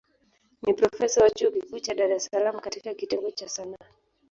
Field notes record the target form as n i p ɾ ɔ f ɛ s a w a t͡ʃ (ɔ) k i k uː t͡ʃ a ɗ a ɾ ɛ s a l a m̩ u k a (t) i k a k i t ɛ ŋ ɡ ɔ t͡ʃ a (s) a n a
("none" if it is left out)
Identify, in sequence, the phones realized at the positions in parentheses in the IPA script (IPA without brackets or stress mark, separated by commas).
u, t, s